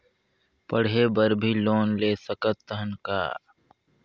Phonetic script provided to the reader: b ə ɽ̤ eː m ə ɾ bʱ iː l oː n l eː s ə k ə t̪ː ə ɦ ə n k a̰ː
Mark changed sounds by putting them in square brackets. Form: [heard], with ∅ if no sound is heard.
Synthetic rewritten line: [p] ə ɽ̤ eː [b] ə ɾ bʱ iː l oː n l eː s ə k ə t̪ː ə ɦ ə n k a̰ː